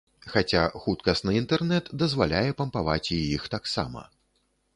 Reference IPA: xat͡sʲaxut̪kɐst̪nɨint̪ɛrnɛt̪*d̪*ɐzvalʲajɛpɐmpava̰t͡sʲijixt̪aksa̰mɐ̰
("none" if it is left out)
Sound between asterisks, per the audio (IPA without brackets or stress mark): d̪